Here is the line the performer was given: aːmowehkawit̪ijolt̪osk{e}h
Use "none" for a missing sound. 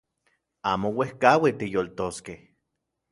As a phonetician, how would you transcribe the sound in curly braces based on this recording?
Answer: e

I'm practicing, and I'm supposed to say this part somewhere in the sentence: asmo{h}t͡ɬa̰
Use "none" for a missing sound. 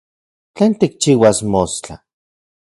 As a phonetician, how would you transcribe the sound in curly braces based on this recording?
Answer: s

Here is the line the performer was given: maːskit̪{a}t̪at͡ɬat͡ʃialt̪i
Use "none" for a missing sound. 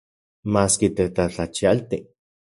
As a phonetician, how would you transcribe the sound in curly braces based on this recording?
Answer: e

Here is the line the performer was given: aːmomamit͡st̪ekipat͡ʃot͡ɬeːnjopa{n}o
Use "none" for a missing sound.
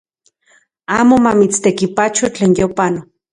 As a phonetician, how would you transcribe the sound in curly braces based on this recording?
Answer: n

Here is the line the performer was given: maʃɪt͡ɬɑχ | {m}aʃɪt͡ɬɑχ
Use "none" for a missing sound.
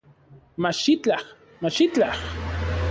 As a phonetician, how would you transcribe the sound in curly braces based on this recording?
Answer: m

